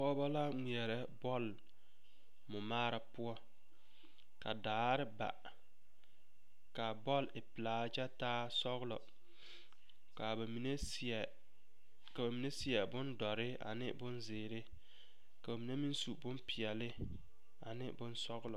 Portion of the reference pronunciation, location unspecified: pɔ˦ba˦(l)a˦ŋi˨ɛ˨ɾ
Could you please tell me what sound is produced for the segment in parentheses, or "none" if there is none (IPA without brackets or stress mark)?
l